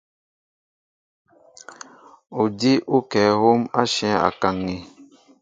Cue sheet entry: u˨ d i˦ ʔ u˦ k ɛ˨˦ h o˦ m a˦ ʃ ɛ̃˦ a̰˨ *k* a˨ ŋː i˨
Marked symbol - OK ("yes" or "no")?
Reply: yes